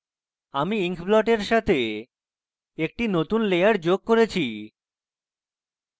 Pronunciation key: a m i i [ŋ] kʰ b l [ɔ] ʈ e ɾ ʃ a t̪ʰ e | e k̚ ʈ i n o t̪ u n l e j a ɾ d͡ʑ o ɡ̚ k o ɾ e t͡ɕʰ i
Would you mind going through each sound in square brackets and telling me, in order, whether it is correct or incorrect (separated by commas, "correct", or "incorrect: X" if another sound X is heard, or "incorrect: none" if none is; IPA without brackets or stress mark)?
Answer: correct, correct